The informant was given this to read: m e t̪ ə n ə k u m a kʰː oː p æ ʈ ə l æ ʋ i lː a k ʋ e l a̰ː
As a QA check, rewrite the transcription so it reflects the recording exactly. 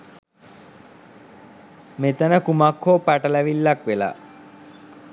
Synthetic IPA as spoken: m e t̪ ə n ə k u m a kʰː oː p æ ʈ ə l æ ʋ i lː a k ʋ e l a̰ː

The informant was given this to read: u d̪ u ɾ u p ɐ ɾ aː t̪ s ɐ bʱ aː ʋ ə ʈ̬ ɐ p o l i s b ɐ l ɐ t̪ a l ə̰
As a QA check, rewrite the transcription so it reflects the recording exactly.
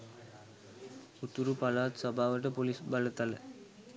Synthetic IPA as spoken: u t̪ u ɾ u p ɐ l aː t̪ s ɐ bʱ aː ʋ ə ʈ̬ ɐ p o l i s b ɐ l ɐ t̪ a l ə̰

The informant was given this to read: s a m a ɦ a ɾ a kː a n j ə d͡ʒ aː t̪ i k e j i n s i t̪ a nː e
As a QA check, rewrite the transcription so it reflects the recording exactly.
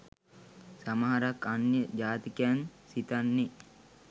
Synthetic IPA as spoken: s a m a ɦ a ɾ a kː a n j ə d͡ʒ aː t̪ i k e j a n s i t̪ a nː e

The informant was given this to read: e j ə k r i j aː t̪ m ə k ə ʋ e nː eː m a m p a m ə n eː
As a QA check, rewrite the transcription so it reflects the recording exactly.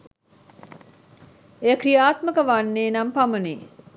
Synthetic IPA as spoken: e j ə k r i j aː t̪ m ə k ə ʋ a nː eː n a m p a m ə n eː

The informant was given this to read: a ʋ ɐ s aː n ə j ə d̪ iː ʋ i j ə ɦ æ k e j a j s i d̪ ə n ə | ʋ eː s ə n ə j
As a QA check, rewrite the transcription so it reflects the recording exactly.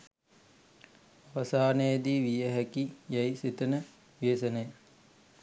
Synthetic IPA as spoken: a ʋ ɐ s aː n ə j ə d̪ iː ʋ i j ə ɦ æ k i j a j s i t̪ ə n ə | ʋ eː s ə n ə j

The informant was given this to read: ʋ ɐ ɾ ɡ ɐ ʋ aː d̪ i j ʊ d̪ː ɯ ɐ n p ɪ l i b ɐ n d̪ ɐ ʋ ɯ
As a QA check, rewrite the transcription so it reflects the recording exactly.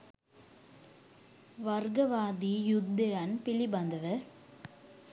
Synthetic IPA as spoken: ʋ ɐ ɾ ɡ ɐ ʋ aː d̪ i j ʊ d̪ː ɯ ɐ n p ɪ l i b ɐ n d̪ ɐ ʋ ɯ

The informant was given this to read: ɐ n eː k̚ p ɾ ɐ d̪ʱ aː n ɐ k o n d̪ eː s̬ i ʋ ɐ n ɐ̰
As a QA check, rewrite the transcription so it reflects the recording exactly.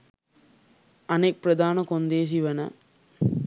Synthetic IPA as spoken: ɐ n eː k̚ p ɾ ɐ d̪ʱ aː n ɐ k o n d̪ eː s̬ i ʋ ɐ n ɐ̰

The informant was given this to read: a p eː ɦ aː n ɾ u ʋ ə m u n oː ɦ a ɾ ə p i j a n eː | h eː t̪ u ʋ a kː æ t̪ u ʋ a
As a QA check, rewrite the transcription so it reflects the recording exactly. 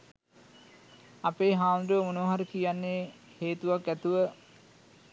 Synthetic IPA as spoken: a p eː ɦ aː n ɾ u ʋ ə m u n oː ɦ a ɾ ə k i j a nː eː | h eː t̪ u ʋ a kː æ t̪ u ʋ ə

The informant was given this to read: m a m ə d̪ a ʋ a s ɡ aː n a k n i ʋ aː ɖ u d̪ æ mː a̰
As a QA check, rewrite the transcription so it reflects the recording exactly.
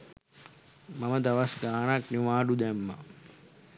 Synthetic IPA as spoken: m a m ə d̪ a ʋ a s ɡ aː n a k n i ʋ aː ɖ u d̪ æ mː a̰

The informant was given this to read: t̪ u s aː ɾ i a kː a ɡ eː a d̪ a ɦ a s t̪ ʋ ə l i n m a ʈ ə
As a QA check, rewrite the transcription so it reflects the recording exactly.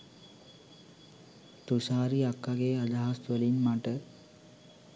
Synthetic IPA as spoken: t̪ u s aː ɾ i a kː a ɡ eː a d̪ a ɦ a s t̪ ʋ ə l i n m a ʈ ə

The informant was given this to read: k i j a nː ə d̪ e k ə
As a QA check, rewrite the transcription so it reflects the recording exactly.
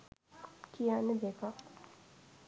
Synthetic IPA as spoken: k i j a n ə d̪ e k a

